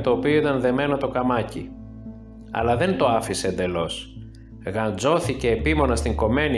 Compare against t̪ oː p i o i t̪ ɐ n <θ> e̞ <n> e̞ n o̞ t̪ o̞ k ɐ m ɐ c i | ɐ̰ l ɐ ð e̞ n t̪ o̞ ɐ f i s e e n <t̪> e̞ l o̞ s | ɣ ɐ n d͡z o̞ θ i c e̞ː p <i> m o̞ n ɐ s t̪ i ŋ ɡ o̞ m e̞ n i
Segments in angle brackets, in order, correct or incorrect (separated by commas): incorrect, incorrect, incorrect, correct